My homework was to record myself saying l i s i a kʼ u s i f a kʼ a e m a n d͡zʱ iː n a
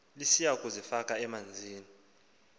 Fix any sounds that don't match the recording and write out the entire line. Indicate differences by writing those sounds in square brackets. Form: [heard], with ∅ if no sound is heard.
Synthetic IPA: l i s i a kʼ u [z] i f a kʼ a [ɛ] m a n d͡zʱ iː n [i]